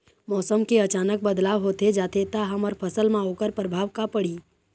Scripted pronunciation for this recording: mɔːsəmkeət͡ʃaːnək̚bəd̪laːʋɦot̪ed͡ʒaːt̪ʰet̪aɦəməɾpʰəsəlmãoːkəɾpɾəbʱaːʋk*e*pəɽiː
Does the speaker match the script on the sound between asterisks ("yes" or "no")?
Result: no